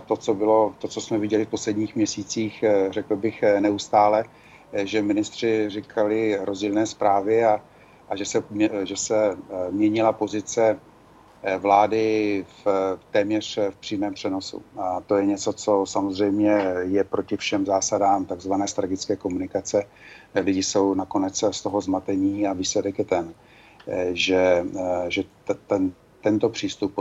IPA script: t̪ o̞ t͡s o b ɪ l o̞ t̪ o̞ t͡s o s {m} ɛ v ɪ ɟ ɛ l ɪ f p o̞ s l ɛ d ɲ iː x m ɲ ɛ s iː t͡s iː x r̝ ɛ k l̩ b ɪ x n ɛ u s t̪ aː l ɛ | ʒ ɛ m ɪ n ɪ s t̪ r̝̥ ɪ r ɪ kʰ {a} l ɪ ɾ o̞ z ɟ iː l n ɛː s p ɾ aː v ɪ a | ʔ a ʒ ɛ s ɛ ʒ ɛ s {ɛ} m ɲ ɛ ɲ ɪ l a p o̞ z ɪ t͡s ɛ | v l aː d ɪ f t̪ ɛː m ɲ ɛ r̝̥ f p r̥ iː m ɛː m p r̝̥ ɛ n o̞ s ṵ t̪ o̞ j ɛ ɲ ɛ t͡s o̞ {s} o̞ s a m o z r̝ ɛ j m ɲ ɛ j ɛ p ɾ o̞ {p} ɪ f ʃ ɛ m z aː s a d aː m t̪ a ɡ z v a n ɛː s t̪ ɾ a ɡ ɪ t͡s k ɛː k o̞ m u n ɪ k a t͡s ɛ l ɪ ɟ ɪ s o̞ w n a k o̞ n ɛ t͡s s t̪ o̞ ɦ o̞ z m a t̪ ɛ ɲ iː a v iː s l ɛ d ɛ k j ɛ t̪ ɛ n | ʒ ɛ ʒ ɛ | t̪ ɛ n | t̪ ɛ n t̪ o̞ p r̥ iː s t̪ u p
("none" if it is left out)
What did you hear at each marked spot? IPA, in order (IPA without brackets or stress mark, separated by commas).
m, a, ɛ, t͡s, c